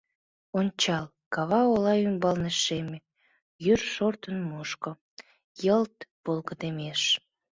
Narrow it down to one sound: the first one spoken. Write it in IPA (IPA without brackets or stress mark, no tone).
o